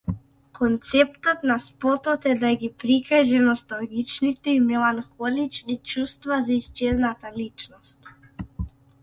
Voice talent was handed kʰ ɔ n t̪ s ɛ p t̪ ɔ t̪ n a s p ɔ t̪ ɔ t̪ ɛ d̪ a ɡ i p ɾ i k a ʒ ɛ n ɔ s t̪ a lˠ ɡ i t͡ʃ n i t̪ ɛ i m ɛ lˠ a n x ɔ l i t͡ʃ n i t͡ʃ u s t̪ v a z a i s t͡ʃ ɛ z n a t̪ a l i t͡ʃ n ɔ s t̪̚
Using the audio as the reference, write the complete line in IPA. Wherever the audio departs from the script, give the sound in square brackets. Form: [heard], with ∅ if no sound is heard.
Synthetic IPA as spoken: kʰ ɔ n t̪ s ɛ p t̪ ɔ t̪ n a s p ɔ t̪ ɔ t̪ ɛ d̪ a ɡ i p ɾ i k a ʒ ɛ n ɔ s t̪ a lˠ ɡ i t͡ʃ n i t̪ ɛ i m ɛ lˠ a n x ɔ l i t͡ʃ n i t͡ʃ u s t̪ v a z a i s t͡ʃ ɛ z n a t̪ a l i t͡ʃ n ɔ s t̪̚